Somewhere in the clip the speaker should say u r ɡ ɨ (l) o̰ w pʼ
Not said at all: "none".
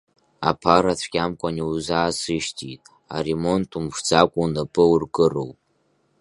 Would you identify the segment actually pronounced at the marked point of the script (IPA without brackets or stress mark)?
r